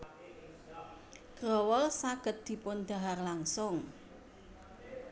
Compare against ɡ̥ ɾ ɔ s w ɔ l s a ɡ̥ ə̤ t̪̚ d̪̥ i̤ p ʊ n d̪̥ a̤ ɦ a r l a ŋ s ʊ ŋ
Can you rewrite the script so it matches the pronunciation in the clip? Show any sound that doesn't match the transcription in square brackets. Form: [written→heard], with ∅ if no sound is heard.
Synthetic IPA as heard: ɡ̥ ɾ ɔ [s→∅] w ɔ l s a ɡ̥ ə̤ t̪̚ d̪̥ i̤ p ʊ n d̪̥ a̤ ɦ a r l a ŋ s ʊ ŋ

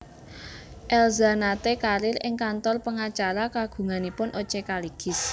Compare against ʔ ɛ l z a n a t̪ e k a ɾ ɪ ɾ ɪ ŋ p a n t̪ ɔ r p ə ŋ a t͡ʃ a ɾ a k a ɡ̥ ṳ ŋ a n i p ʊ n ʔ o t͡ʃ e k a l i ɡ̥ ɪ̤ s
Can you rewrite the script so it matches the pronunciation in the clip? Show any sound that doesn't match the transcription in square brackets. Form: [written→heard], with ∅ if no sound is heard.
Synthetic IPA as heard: ʔ ɛ l z a n a t̪ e k a ɾ ɪ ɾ ɪ ŋ [p→k] a n t̪ ɔ r p ə ŋ a t͡ʃ a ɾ a k a ɡ̥ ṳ ŋ a n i p ʊ n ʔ o t͡ʃ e k a l i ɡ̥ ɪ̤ s

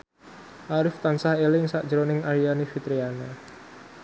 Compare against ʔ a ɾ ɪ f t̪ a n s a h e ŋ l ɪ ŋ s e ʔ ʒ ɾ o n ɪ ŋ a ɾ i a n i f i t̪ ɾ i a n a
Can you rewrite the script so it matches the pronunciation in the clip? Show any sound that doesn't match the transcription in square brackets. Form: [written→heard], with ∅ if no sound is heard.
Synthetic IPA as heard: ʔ a ɾ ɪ f t̪ a n s a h e [ŋ→∅] l ɪ ŋ s [e→a] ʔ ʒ ɾ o n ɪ ŋ a ɾ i a n i f i t̪ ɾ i a n a

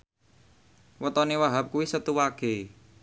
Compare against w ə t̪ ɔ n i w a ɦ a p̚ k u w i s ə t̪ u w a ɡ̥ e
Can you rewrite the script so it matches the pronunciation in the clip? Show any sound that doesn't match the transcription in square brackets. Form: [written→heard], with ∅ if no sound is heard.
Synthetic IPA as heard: w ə t̪ ɔ n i w a ɦ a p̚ k u w i s ə t̪ u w a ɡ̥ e

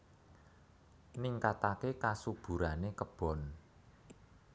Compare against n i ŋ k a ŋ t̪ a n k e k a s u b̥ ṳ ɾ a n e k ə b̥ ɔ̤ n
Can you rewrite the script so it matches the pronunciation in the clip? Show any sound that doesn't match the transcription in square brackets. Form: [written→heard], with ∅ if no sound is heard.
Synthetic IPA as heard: n i ŋ k a [ŋ→∅] t̪ a [n→∅] k e k a s u b̥ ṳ ɾ a n e k ə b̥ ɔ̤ n

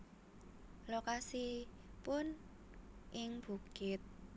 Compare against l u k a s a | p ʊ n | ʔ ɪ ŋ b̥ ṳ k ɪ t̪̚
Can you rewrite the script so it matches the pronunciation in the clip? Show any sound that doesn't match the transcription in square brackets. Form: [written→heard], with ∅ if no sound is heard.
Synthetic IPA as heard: l [u→o] k a s [a→i] | p ʊ n | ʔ ɪ ŋ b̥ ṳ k ɪ t̪̚

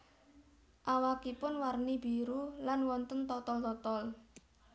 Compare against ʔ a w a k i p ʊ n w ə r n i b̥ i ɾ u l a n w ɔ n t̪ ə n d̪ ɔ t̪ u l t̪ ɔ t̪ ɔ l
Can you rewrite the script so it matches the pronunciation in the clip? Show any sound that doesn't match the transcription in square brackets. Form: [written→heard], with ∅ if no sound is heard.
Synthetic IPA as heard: ʔ a w a k i p ʊ n w [ə→a] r n i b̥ i ɾ u l a n w ɔ n t̪ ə n [d̪→t̪] ɔ t̪ [u→ɔ] l t̪ ɔ t̪ ɔ l

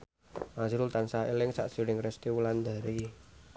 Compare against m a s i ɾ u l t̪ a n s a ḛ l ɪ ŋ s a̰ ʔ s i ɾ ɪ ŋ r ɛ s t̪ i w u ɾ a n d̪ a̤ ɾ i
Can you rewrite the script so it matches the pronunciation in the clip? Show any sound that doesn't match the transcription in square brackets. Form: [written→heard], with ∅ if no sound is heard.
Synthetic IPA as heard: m a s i ɾ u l t̪ a n s a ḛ l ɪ ŋ s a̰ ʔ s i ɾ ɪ ŋ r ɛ s t̪ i w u [ɾ→l] a n d̪ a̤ ɾ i

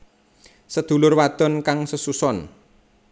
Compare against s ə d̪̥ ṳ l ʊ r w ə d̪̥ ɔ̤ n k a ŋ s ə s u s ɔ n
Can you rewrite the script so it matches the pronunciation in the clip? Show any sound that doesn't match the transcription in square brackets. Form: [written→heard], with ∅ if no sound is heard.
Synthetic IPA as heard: s ə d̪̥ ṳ l ʊ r w [ə→a] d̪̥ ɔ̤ n k a ŋ s ə s u s ɔ n

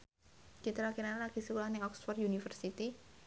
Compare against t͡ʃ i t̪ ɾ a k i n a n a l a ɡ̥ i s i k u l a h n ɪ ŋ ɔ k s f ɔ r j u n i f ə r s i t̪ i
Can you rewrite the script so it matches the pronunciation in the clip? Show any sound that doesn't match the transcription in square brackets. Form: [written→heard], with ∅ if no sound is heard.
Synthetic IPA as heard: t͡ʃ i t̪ ɾ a k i n a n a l a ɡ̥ i s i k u l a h n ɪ ŋ ɔ k s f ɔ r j u n i f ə r s i t̪ i

